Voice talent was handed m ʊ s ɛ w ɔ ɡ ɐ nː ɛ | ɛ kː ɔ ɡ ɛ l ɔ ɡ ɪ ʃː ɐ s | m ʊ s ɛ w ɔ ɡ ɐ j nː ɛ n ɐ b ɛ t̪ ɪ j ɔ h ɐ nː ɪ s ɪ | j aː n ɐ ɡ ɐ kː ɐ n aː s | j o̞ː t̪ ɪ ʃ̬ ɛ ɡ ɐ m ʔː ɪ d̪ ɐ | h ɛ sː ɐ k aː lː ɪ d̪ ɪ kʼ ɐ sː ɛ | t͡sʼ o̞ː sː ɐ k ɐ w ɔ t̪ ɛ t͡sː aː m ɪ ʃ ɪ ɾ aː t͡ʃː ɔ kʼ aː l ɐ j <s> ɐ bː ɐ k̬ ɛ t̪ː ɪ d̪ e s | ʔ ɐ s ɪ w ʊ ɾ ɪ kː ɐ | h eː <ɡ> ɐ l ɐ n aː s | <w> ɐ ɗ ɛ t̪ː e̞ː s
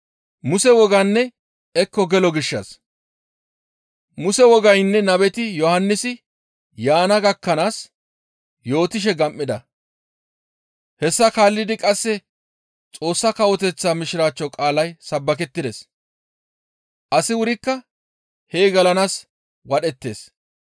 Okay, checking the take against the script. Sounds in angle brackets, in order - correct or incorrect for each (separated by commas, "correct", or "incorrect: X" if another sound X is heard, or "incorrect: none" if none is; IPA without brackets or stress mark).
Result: correct, correct, correct